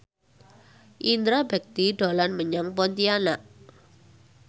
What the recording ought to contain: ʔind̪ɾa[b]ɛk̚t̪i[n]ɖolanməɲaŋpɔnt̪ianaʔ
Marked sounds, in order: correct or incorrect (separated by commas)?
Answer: correct, incorrect